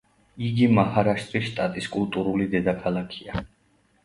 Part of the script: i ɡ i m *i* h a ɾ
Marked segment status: incorrect: a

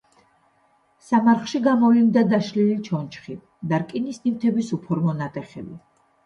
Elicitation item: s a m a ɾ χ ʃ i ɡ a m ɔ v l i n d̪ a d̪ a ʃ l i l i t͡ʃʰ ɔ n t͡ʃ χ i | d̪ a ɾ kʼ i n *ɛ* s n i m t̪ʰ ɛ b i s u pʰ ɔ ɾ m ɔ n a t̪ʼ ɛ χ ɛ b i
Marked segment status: incorrect: i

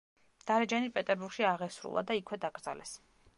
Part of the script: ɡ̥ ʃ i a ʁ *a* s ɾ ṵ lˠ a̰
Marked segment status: incorrect: ɛ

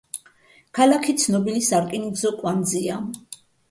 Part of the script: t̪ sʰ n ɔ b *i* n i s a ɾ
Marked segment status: correct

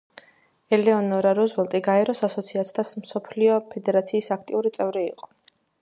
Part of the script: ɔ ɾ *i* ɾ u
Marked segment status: incorrect: a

